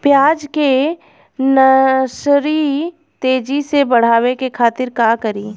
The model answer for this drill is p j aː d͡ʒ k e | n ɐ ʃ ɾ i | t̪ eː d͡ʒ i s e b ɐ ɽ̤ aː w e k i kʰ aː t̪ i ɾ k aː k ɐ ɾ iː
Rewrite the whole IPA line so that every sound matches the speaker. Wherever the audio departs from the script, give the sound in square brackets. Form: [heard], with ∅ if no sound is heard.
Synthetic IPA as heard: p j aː d͡ʒ k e | n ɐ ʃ ɾ i | t̪ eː d͡ʒ i s e b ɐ ɽ̤ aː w e k [e] kʰ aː t̪ [ɪ] ɾ k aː k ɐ ɾ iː